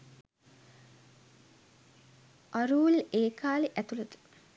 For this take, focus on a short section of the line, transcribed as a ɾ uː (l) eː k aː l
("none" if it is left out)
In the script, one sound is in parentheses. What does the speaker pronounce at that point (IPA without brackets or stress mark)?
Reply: l